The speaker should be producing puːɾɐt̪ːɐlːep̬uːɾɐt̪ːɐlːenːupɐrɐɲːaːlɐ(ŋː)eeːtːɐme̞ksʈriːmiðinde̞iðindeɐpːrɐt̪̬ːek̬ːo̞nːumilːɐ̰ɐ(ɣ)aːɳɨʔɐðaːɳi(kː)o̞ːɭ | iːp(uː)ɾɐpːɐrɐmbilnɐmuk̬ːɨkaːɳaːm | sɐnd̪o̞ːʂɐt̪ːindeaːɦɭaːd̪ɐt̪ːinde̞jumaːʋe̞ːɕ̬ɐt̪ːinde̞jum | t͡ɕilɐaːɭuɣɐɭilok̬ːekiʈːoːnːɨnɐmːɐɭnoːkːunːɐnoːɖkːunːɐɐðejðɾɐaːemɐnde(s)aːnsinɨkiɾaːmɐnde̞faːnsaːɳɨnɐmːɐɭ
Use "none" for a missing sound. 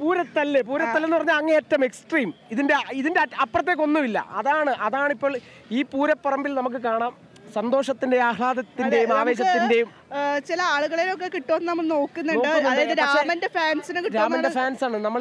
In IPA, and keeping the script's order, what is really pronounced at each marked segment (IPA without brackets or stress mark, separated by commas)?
ŋː, ð, pː, uː, f